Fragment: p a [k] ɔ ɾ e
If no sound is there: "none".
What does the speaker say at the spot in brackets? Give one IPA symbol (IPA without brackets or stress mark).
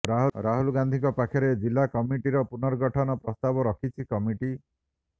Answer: kʰ